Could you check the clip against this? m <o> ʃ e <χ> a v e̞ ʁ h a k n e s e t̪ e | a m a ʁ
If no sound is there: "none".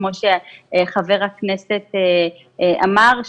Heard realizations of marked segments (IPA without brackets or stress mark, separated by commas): o, χ